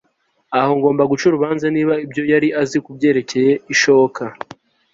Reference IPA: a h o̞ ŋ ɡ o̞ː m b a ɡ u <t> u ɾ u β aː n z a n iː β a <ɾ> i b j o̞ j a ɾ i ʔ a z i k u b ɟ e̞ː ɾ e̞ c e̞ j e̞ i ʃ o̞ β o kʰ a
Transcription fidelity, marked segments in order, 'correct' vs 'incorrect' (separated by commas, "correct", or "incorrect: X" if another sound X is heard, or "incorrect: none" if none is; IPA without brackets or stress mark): incorrect: t͡ʃ, incorrect: none